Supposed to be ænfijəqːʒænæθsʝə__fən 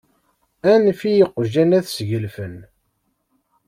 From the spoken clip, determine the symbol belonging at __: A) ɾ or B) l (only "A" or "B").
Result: B